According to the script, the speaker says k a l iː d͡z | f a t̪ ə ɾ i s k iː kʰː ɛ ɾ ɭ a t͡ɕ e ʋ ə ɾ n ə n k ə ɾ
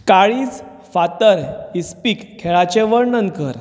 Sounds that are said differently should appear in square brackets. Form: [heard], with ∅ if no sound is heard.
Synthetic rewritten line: k a [ɭ] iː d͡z | f a t̪ ə ɾ i s [p] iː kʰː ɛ [∅] ɭ a t͡ɕ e ʋ ə ɾ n ə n k ə ɾ